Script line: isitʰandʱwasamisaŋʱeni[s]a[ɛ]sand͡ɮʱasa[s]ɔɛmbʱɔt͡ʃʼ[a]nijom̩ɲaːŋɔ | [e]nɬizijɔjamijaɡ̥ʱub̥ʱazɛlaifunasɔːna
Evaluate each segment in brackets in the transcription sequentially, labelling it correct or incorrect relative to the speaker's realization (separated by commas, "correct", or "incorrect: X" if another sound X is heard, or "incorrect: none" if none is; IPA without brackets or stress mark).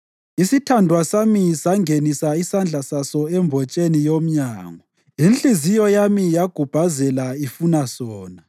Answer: correct, incorrect: i, correct, incorrect: e, incorrect: i